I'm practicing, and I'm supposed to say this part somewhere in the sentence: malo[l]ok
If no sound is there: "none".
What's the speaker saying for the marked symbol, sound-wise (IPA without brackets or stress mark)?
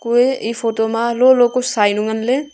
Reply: l